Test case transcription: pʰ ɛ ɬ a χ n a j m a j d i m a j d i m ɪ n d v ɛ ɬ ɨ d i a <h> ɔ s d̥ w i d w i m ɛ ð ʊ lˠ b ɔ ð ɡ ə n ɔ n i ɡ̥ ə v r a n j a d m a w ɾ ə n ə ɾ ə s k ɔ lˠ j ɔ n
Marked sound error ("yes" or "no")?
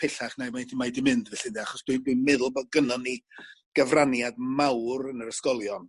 yes